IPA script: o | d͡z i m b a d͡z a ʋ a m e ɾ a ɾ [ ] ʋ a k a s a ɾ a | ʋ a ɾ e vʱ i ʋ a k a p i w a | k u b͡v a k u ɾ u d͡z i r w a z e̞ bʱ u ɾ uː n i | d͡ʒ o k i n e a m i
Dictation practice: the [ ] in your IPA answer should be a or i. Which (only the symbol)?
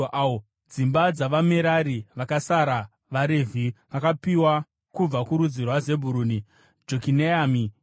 i